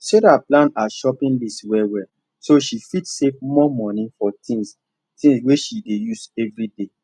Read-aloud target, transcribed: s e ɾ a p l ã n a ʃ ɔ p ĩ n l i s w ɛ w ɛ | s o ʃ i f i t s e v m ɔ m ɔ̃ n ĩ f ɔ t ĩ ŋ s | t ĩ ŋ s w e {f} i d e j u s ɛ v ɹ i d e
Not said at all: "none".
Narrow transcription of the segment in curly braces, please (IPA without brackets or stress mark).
ʃ